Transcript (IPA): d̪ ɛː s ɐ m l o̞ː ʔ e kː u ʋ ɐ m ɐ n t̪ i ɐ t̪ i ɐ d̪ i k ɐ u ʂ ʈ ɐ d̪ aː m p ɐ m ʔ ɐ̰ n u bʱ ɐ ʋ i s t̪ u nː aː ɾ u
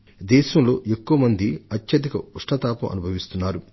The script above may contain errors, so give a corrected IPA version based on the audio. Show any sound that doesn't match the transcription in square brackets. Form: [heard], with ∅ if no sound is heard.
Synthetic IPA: d̪ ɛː [ʃ] ɐ m l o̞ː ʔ e kː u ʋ ɐ m ɐ n [d̪] i ɐ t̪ [j] ɐ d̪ i k ɐ u ʂ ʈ ɐ [t̪] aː [∅] p ɐ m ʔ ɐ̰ n u bʱ ɐ ʋ i s t̪ u nː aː ɾ u